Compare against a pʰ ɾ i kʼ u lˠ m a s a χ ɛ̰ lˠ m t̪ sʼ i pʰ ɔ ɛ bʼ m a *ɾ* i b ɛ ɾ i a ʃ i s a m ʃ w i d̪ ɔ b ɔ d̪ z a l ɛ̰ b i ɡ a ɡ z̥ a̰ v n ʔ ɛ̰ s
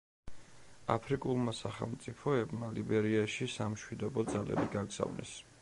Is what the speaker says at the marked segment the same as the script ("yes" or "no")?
no